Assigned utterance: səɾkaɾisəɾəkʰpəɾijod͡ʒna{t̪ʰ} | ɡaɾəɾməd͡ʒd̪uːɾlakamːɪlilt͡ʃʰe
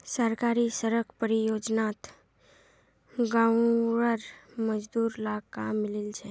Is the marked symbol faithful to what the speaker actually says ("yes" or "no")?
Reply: no